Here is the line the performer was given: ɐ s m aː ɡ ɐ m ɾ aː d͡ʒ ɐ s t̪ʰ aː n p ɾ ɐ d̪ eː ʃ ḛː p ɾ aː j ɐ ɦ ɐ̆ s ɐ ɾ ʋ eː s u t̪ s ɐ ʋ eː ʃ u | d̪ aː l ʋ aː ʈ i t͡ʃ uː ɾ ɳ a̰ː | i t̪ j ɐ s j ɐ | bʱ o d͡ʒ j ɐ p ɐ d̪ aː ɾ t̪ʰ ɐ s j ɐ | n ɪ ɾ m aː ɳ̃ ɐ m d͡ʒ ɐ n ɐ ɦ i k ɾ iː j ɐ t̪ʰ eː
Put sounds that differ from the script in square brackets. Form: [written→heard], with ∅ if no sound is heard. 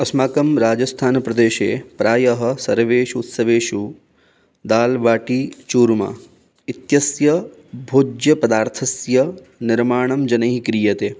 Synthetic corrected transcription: ɐ s m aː [ɡ→k] ɐ m ɾ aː d͡ʒ ɐ s t̪ʰ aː n p ɾ ɐ d̪ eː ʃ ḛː p ɾ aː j ɐ ɦ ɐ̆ s ɐ ɾ ʋ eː [s→ʃ] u t̪ s ɐ ʋ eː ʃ u | d̪ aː l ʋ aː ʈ i t͡ʃ uː ɾ [ɳ→m] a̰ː | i t̪ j ɐ s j ɐ | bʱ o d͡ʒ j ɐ p ɐ d̪ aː ɾ t̪ʰ ɐ s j ɐ | n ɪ ɾ m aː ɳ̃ ɐ m d͡ʒ ɐ n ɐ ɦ i k ɾ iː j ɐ [t̪ʰ→t̪] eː